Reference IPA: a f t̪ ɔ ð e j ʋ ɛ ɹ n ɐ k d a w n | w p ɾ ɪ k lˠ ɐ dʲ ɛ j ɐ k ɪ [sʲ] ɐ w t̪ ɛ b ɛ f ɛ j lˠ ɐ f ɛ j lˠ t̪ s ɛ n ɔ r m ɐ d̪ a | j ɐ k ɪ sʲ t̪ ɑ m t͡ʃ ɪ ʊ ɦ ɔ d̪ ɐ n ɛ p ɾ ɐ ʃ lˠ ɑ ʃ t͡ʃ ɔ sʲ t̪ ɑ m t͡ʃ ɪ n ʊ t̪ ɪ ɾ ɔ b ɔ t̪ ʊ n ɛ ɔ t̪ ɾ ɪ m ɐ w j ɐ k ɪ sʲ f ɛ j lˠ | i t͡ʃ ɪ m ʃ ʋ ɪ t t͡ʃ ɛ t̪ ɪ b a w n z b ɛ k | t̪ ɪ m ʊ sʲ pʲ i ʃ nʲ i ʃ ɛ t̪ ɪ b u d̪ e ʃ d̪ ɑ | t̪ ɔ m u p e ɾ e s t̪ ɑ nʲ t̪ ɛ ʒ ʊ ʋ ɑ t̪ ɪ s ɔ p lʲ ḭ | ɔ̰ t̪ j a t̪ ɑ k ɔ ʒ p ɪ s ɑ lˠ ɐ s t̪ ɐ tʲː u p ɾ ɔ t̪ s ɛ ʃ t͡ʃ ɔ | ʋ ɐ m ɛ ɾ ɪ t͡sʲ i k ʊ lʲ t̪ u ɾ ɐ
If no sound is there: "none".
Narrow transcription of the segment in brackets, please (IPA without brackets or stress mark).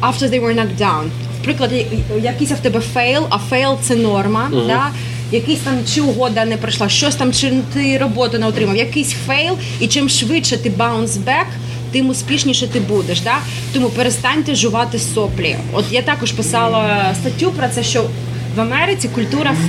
sʲ